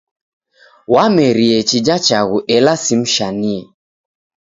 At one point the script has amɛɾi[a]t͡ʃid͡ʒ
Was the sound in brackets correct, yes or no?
no